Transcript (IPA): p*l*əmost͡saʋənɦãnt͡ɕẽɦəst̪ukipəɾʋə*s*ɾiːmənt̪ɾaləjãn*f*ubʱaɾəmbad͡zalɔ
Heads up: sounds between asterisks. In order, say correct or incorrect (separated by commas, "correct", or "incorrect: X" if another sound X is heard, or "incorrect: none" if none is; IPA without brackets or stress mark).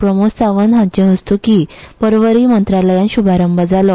incorrect: ɾ, incorrect: none, incorrect: ɕ